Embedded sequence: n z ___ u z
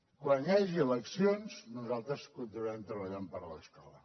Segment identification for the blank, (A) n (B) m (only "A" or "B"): A